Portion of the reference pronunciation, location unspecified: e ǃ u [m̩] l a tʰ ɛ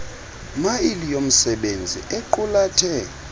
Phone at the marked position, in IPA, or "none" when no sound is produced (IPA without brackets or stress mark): none